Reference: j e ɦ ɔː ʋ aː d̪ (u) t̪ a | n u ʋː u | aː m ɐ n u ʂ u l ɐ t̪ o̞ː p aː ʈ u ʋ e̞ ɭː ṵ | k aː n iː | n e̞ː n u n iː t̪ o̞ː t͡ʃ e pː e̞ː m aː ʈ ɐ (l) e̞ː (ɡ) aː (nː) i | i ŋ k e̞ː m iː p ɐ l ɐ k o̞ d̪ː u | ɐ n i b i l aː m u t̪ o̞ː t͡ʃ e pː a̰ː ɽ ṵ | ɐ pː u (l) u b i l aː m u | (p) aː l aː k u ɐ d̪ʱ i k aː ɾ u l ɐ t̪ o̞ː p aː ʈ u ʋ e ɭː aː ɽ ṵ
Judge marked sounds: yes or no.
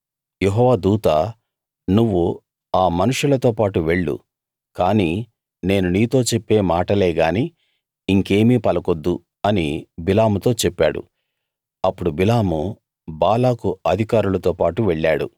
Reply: no, yes, yes, no, no, no

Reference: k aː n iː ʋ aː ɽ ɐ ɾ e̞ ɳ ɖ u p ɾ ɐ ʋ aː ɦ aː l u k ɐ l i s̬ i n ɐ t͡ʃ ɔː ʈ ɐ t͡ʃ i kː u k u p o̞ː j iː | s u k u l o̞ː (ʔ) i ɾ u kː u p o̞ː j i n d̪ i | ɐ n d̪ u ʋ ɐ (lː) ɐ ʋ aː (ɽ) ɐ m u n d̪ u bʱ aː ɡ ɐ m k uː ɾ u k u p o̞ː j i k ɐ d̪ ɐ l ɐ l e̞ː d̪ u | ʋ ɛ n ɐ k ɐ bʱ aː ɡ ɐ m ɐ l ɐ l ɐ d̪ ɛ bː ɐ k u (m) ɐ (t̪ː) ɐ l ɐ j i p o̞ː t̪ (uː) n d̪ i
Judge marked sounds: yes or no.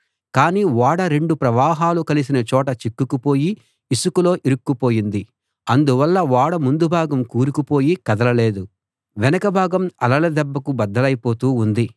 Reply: yes, yes, yes, no, no, yes

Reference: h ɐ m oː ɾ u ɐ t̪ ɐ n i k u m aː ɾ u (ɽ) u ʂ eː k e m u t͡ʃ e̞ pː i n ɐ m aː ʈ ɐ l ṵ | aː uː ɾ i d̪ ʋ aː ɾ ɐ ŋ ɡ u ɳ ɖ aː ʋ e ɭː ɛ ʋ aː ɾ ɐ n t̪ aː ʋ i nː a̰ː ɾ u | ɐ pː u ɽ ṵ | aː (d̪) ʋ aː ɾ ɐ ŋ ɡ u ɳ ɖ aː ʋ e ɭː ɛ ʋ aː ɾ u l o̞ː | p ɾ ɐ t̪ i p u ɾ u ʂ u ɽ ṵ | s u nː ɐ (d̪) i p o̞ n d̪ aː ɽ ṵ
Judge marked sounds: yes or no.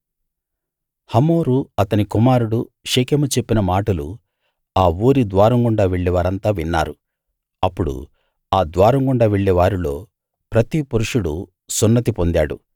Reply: yes, yes, no

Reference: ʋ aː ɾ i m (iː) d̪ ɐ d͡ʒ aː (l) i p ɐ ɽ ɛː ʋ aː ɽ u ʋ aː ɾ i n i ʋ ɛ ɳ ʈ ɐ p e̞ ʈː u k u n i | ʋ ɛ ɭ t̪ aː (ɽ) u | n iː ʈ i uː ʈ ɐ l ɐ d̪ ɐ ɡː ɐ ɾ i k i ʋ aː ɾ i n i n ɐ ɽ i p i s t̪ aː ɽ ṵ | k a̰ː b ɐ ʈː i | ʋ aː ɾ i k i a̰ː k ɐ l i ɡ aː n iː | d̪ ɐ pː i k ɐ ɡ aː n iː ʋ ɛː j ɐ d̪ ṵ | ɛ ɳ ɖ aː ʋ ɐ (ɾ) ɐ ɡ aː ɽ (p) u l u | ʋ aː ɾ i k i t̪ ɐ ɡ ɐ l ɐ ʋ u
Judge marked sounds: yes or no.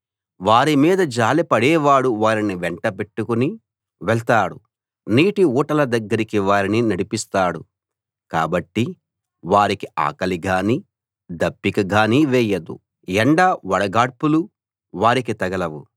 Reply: yes, yes, yes, no, yes

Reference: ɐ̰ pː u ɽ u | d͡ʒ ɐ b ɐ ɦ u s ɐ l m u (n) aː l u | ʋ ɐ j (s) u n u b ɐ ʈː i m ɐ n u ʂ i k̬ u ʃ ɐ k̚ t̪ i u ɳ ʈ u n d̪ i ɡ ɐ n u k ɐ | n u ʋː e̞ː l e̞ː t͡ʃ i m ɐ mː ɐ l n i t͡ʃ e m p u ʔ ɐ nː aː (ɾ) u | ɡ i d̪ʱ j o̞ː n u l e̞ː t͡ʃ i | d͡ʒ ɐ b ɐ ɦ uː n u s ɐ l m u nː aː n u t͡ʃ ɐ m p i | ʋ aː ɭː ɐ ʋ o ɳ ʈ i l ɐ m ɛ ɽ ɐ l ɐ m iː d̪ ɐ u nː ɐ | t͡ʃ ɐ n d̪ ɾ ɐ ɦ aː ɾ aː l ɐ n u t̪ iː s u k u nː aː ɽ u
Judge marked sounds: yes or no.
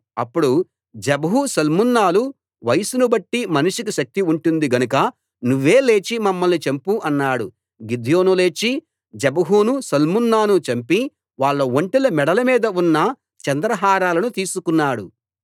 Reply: no, yes, no

